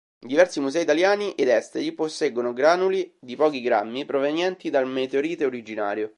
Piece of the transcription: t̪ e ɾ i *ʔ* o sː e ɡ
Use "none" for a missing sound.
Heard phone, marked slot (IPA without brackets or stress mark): p